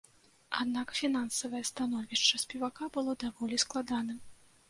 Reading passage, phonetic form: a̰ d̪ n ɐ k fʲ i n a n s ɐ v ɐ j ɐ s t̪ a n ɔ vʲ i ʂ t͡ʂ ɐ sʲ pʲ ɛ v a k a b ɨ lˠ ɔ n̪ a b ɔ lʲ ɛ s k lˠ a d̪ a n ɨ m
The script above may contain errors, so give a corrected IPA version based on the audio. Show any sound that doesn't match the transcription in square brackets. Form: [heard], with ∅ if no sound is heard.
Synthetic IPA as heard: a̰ d̪ n [a] k fʲ i n a n s ɐ v ɐ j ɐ s t̪ a n ɔ vʲ i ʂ t͡ʂ ɐ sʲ pʲ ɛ v a k a b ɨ lˠ ɔ [d̪] a [v] ɔ lʲ [i] s k lˠ a d̪ a n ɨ m